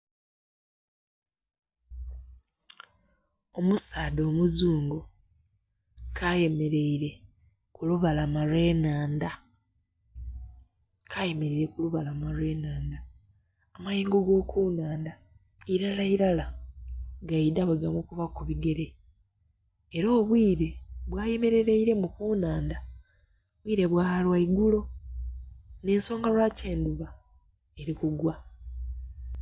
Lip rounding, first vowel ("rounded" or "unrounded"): rounded